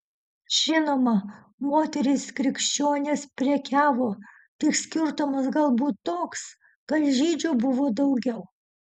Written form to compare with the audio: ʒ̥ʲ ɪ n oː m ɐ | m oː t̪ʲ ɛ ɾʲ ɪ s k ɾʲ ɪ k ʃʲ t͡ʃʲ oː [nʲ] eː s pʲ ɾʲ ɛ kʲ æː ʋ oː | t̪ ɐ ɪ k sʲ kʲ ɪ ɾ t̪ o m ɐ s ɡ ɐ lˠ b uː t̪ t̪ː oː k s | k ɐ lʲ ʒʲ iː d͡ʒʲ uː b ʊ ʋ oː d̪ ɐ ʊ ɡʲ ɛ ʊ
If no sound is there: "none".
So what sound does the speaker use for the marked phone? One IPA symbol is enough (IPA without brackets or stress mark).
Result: nʲ